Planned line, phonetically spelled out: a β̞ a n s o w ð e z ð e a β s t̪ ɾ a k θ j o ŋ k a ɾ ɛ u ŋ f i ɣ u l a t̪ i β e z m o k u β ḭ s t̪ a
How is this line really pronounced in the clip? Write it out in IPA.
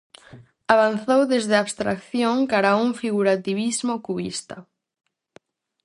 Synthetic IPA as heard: a β̞ a n θ o w ð e z ð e a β s t̪ ɾ a k θ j o ŋ k a ɾ a u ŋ f i ɣ u ɾ a t̪ i β i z m o k u β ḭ s t̪ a